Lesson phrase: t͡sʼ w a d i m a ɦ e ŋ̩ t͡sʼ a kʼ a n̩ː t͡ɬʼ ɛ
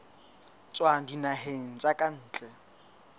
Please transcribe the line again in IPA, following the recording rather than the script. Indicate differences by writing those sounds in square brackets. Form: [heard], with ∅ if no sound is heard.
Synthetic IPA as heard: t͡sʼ w a d i [n] a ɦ e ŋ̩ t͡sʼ a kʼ a n̩ː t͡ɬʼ ɛ